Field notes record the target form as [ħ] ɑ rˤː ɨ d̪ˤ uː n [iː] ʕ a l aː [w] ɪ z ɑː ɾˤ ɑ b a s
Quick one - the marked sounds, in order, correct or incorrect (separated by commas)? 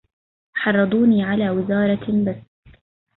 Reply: correct, correct, correct